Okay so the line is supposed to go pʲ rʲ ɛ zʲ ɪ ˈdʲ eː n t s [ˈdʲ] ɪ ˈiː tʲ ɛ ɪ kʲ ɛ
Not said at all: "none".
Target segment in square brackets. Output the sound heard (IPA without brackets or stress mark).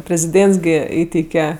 ɡʲ